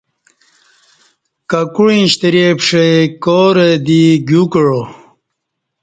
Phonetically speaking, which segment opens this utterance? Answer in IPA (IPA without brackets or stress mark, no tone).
k